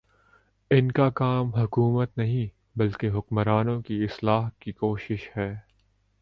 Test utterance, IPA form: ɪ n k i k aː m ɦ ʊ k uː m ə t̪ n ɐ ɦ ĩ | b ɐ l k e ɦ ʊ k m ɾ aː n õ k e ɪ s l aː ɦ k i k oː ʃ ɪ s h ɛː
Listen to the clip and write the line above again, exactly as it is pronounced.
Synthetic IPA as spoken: ɪ n k a k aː m ɦ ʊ k uː m ə t̪ n ɐ ɦ ĩ | b ɐ l k e ɦ ʊ k m ɾ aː n õ k i ɪ s l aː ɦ k i k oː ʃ ɪ ʃ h ɛː